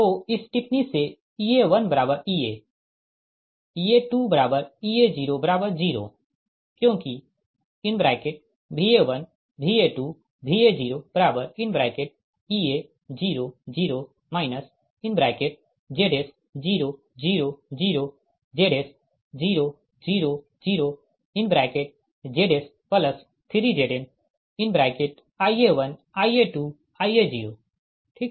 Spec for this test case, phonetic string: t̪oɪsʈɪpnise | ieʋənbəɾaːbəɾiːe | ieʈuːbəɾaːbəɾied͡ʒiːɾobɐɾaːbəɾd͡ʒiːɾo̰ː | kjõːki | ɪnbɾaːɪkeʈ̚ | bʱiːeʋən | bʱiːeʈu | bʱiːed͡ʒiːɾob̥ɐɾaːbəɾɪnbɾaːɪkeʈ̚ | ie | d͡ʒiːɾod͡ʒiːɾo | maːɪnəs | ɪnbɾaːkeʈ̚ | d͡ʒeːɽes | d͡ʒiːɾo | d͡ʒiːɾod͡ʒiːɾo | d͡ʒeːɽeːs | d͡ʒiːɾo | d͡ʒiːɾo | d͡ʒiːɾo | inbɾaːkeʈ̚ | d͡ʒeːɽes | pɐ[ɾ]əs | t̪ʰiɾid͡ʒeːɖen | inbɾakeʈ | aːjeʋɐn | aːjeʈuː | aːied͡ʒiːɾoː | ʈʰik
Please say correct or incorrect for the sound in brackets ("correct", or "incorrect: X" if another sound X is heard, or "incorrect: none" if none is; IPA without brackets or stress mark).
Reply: incorrect: l